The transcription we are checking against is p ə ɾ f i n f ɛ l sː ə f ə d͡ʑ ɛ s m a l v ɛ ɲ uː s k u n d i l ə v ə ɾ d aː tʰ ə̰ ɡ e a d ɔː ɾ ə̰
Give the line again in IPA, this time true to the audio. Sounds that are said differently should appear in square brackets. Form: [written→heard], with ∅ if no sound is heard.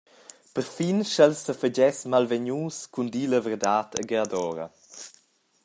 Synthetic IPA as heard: p ə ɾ f i n [f→ʃ] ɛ l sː ə f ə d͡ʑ ɛ s m a l v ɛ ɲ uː s k u n d i l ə v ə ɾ d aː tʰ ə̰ ɡ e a d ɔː ɾ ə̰